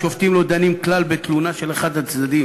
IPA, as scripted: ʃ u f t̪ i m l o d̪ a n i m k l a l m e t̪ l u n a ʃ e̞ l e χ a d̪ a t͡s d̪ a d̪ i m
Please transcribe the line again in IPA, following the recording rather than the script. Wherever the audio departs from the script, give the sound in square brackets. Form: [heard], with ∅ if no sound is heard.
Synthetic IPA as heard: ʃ [o] f t̪ i m l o d̪ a n i m k l a l [b] e t̪ l u n a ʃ e̞ l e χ a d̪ a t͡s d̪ a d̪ i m